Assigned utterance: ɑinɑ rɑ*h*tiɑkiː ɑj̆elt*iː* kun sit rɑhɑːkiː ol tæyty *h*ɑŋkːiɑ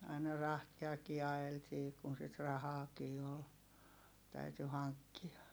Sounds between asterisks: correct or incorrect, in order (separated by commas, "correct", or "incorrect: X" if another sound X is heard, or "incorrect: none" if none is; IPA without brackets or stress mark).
correct, correct, correct